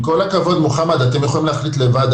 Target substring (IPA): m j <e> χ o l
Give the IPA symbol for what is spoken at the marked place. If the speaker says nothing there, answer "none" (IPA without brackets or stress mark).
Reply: e